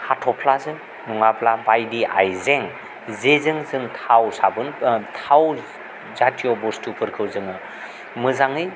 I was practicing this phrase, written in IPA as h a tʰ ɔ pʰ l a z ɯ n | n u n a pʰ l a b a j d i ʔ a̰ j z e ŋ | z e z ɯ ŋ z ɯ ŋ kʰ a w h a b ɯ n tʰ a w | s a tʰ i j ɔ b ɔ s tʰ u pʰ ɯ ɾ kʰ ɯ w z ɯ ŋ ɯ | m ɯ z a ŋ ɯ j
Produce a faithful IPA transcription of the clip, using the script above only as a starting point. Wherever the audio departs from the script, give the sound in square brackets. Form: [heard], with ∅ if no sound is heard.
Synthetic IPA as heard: h a tʰ ɔ pʰ l a z ɯ [ŋ] | n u [ŋ] a pʰ l a b a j d i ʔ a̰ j z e ŋ | z e z ɯ ŋ z ɯ ŋ [tʰ] a w [s] a b ɯ n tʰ a w | [z] a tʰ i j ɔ b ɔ s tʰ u pʰ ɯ ɾ kʰ ɯ w z ɯ ŋ ɯ | m ɯ z a ŋ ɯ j